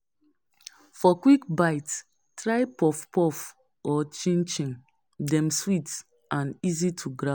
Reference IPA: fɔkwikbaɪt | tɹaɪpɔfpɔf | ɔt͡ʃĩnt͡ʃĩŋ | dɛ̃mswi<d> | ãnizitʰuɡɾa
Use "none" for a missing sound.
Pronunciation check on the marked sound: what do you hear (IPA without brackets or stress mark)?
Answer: t